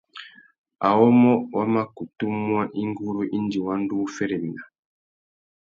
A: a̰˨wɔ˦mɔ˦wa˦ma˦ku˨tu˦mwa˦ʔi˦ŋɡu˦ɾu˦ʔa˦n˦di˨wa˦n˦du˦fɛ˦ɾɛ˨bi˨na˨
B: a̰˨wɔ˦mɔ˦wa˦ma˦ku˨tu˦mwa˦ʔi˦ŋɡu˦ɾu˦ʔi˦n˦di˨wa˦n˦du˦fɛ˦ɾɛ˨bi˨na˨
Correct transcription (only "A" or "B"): B